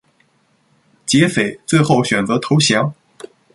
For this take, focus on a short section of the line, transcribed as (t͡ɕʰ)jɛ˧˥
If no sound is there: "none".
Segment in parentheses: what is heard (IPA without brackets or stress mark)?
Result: t͡ɕ